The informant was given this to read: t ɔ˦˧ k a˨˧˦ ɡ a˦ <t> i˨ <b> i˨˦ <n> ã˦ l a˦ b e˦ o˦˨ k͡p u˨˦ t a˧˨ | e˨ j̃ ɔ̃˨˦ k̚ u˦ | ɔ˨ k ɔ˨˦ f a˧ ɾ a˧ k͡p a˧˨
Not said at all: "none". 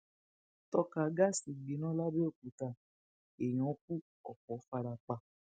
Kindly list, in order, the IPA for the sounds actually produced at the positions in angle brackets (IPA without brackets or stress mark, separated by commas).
s, ɡ͡b, n